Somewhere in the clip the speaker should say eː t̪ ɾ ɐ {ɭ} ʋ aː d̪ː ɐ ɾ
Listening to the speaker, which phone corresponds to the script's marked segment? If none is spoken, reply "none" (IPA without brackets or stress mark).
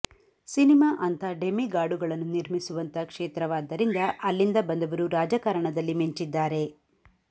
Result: none